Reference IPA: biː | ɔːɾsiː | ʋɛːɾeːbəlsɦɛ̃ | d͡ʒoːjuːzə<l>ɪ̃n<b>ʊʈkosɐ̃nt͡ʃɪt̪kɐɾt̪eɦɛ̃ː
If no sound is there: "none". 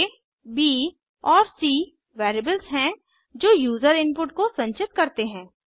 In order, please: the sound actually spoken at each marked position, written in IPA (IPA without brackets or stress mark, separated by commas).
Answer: ɾ, p